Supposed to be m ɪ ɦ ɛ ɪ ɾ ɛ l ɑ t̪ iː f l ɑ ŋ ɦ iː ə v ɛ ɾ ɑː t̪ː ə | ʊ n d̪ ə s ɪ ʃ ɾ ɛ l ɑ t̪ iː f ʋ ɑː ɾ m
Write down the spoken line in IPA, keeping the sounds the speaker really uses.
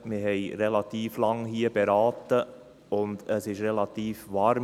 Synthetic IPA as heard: m ɪ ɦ ɛ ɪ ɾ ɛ l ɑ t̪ iː f l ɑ ŋ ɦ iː ə b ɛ ɾ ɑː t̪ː ə | ʊ n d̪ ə s ɪ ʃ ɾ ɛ l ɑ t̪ iː f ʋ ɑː ɾ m